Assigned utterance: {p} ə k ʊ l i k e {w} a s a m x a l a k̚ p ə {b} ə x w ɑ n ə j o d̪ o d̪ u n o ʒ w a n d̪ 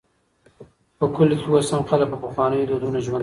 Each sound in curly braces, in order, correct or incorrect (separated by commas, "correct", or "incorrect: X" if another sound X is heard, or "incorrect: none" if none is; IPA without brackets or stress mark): correct, correct, incorrect: p